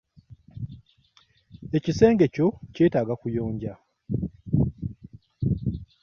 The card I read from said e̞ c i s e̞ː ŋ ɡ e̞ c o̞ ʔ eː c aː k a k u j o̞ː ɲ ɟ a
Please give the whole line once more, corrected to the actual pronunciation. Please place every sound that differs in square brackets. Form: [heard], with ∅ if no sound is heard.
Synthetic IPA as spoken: e̞ c i s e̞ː ŋ ɡ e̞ c o̞ [c] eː [t] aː [ɡ] a k u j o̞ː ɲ ɟ a